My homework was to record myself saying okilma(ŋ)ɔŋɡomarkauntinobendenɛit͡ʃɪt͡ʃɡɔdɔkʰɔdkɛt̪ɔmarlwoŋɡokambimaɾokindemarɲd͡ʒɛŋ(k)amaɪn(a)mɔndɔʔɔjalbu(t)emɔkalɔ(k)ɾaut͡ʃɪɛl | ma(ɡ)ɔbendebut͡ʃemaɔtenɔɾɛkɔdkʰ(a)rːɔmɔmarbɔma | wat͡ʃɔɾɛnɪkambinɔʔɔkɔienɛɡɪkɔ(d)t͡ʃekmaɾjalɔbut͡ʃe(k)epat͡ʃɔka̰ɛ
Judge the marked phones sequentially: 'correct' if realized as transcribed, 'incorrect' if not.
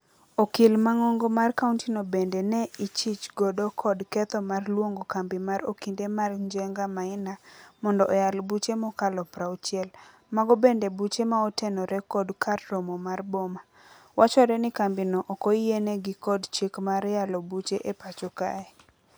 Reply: correct, incorrect, correct, incorrect, incorrect, correct, correct, correct, incorrect

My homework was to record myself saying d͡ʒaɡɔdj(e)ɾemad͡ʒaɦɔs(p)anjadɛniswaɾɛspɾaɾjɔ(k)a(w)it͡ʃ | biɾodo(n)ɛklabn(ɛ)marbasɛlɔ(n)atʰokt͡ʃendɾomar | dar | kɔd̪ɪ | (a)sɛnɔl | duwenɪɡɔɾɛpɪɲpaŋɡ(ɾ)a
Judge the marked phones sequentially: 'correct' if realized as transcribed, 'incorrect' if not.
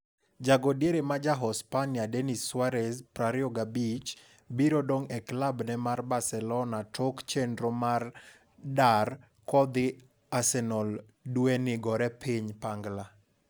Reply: correct, correct, incorrect, incorrect, incorrect, correct, correct, correct, incorrect

